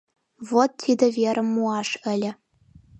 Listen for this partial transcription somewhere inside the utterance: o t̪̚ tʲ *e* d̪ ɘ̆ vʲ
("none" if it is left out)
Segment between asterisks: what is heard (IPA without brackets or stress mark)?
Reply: i